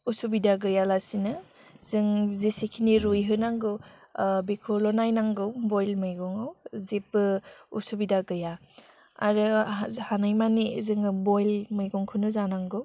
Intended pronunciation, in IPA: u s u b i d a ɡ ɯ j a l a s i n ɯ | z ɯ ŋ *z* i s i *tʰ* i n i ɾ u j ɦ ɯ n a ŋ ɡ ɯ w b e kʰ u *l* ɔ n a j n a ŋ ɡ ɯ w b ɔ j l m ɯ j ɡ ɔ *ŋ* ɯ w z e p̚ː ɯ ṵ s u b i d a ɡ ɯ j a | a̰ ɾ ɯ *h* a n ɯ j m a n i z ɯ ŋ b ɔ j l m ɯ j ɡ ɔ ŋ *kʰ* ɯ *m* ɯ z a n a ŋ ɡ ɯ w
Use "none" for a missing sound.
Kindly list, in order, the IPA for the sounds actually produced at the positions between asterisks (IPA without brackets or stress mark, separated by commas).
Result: z, kʰ, l, ŋ, h, kʰ, n